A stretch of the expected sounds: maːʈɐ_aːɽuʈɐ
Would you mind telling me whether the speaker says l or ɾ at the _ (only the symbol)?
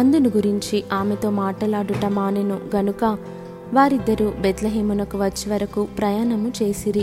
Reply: l